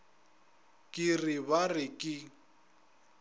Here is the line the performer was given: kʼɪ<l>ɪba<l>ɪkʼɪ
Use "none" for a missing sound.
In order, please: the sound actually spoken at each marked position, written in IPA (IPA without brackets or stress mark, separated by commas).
r, r